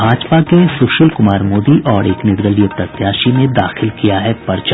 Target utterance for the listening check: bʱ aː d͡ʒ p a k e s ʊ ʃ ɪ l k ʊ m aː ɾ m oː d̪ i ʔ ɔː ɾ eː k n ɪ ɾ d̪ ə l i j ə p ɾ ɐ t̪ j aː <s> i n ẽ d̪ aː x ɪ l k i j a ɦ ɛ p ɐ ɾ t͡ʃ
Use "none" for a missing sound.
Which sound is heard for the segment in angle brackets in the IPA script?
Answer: ʃ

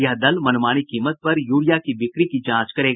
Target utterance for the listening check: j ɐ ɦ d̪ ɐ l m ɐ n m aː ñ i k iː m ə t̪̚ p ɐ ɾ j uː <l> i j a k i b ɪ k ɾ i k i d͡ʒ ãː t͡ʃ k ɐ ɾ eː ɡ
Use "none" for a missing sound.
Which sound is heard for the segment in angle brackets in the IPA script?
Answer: ɽ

